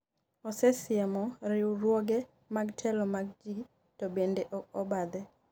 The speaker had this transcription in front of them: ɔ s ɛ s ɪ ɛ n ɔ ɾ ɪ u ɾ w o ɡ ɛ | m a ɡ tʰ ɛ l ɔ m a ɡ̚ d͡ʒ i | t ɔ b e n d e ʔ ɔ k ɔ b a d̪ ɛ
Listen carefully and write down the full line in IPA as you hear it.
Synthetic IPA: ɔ s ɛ s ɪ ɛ m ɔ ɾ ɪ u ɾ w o ɡ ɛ | m a ɡ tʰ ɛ l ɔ m a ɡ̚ d͡ʒ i | t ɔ b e n d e ʔ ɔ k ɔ b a d̪ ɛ